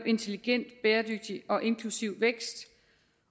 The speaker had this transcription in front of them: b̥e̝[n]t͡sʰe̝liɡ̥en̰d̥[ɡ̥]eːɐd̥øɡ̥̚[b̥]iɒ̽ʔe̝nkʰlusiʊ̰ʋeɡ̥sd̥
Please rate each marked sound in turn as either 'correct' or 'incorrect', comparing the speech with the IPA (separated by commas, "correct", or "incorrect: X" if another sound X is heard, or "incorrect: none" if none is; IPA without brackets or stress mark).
correct, incorrect: b̥, incorrect: d̥